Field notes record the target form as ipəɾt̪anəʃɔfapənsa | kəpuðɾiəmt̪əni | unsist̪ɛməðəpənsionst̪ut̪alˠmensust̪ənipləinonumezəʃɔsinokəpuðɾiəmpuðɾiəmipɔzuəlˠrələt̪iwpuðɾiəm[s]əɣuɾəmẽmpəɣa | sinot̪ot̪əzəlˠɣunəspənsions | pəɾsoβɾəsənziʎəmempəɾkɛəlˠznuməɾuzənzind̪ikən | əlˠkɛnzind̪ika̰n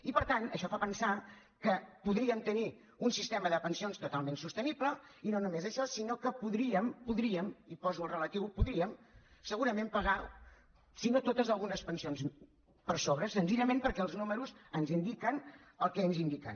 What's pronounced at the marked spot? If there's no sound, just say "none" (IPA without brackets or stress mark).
s